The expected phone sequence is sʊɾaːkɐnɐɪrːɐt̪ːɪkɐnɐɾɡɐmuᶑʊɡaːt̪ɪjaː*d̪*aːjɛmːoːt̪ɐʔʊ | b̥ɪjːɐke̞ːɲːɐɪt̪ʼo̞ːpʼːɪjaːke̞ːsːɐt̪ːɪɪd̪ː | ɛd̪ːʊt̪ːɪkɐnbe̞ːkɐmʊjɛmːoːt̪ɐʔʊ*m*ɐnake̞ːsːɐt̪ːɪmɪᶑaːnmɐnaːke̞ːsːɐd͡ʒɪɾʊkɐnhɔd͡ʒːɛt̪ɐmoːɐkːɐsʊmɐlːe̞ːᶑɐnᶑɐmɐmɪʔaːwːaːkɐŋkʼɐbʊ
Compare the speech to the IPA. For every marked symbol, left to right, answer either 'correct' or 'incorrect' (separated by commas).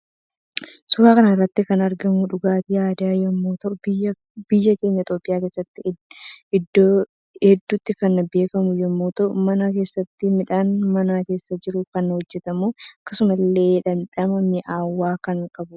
correct, correct